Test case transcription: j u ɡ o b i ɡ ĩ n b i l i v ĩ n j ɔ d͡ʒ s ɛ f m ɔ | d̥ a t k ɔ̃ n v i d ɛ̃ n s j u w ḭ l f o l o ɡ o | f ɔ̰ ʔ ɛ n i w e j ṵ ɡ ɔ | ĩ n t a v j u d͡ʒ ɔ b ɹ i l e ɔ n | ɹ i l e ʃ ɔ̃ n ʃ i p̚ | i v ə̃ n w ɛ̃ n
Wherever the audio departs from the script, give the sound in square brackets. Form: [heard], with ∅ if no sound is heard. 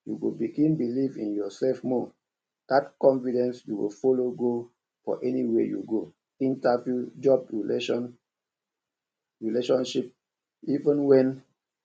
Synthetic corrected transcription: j u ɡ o b i ɡ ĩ n b i l i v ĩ n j ɔ [∅] s ɛ f m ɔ | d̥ a t k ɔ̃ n [f] i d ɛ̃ n s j u w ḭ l f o l o ɡ o | f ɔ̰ ʔ ɛ n i w e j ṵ ɡ [o] | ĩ n t a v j u d͡ʒ ɔ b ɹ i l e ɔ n | ɹ i l e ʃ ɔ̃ n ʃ i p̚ | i v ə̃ n w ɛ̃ n